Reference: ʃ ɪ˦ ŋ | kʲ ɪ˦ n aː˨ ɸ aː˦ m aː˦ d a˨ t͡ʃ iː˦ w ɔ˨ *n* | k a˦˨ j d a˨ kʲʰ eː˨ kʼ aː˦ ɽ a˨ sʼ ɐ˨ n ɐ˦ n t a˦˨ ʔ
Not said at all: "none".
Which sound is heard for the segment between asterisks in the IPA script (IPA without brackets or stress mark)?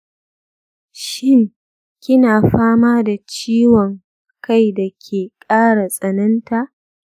ŋ